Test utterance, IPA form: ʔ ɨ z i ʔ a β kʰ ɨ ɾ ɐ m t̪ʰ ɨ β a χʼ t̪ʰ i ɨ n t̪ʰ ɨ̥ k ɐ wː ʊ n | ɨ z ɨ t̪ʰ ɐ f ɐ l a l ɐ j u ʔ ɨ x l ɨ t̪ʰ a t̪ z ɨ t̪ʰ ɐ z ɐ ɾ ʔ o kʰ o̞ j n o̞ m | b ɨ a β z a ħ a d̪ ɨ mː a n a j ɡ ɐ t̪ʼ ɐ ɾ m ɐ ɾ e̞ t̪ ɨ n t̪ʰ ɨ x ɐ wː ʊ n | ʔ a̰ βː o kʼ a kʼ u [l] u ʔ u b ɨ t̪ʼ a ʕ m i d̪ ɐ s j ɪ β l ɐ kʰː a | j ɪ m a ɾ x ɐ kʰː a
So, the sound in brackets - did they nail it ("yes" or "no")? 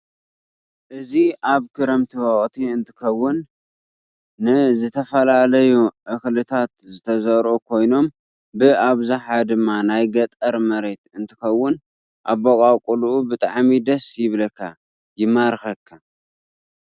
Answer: yes